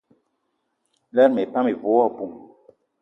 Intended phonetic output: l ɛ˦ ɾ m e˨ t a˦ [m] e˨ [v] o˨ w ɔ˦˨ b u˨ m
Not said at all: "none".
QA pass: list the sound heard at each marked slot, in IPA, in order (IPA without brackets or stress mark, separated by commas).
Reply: m, v